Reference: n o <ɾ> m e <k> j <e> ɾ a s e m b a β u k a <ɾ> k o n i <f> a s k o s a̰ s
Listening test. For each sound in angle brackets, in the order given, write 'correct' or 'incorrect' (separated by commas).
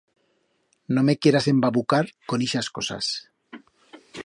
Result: incorrect, correct, correct, correct, incorrect